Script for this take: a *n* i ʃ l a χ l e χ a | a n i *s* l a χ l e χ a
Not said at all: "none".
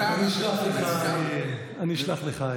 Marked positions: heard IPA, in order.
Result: n, ʃ

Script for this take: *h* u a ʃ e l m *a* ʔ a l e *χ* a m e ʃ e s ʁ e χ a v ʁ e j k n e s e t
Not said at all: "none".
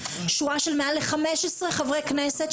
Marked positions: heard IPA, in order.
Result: ʃ, e, χ

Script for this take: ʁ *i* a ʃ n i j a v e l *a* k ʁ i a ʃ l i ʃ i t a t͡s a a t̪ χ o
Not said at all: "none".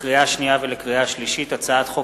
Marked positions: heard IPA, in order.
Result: i, e

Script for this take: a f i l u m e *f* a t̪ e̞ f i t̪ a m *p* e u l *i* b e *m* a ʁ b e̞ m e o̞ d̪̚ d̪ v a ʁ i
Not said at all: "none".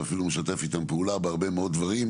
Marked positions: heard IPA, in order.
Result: ʃ, p, a, none

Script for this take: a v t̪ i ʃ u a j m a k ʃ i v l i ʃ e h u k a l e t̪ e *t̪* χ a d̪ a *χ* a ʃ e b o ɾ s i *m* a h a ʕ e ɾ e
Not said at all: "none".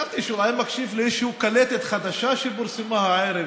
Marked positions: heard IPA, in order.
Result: t̪, ʃ, m

